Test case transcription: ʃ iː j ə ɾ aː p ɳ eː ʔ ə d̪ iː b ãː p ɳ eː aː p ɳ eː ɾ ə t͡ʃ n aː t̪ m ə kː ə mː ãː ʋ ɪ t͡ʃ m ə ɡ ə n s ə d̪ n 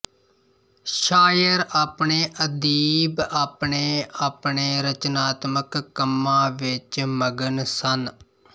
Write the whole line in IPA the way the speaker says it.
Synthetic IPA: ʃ aː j ə ɾ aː p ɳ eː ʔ ə d̪ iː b aː p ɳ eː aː p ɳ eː ɾ ə t͡ʃ n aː t̪ m ə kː ə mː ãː ʋ ɪ t͡ʃ m ə ɡ ə n s ə n